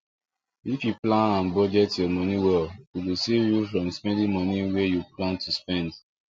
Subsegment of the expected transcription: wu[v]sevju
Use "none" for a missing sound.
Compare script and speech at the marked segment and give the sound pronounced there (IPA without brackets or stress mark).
none